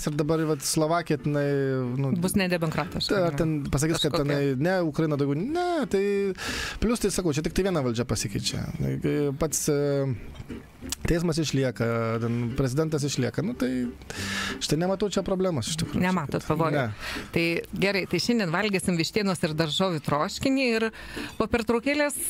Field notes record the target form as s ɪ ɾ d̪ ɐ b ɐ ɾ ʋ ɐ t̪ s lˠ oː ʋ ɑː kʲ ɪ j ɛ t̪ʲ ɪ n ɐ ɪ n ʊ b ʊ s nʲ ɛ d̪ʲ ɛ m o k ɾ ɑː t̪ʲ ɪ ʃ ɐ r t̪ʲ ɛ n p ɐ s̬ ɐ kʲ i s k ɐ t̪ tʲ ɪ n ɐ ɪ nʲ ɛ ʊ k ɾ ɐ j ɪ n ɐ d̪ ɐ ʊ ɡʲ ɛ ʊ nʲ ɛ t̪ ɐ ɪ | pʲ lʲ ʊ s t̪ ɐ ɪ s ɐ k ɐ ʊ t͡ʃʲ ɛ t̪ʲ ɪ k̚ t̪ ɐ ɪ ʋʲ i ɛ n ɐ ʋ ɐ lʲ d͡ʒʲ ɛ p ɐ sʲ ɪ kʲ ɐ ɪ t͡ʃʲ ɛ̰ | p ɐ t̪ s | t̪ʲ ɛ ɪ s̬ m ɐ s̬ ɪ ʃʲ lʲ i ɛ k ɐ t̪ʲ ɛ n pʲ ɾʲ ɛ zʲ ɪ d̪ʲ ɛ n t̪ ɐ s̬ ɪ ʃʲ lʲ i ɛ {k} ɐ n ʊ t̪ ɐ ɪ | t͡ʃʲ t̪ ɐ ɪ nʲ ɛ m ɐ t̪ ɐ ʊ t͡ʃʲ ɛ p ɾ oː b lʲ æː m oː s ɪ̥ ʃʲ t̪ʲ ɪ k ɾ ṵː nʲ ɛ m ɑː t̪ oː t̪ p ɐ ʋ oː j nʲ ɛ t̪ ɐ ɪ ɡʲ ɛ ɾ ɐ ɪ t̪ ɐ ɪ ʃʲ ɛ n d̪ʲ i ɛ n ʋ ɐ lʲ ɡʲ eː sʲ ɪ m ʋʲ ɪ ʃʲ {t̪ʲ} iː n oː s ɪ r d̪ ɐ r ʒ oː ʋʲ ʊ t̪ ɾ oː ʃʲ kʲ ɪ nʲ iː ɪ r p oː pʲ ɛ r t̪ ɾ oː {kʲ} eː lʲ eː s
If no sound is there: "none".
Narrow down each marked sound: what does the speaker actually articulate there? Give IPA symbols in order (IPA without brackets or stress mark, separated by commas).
k, t̪ʲ, kʲ